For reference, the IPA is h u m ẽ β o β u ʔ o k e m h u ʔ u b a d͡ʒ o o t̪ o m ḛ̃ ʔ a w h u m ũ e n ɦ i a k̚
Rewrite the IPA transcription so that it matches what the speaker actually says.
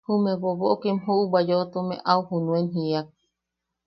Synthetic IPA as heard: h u m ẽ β o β o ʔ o k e m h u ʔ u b a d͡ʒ o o t̪ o m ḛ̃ ʔ a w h u n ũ e n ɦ i a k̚